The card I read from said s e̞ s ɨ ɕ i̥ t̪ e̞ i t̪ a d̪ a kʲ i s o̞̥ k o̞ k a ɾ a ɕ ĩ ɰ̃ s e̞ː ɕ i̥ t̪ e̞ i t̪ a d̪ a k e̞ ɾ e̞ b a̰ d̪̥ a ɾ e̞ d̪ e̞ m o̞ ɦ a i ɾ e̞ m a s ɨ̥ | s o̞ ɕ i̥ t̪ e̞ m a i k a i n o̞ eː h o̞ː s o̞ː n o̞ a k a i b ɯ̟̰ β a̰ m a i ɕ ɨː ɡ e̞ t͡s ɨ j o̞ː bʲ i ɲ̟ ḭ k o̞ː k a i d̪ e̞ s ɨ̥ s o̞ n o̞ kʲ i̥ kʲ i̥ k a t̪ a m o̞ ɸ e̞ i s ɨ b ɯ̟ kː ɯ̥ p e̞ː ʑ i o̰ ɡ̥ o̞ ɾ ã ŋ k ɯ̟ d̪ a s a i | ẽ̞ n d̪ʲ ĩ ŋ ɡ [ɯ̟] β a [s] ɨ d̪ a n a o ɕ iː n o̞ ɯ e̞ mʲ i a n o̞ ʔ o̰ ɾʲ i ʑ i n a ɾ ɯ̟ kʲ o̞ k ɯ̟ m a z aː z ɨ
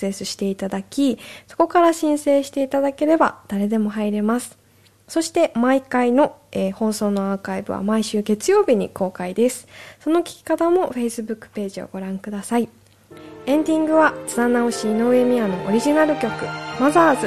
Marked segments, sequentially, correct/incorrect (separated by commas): correct, incorrect